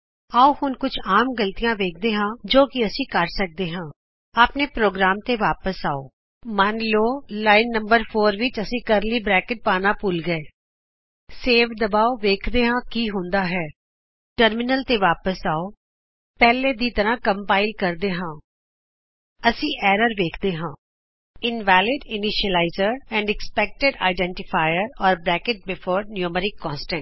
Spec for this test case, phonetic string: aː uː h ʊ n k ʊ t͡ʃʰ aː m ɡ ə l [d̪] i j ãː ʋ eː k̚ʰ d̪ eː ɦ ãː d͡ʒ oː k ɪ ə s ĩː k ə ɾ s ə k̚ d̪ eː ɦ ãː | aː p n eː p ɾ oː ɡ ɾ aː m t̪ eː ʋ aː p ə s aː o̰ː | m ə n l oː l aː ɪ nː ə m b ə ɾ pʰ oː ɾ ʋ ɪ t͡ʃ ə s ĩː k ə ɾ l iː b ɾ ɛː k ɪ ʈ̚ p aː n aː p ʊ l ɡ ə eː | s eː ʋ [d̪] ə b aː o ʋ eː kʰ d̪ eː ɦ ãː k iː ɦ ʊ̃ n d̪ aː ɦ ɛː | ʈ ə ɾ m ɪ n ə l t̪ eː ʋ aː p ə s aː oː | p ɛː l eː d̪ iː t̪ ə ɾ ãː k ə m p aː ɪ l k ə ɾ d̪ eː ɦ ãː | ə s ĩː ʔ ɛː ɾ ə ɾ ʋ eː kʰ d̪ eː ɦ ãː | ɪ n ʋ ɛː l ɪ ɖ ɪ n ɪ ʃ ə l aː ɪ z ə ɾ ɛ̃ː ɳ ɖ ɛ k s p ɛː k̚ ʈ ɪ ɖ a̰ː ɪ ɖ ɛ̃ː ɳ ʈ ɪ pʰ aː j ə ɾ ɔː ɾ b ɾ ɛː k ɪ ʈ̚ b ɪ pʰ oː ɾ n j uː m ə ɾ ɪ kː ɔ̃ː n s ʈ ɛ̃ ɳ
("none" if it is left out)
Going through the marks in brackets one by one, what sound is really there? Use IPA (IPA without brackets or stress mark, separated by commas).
t̪, d̪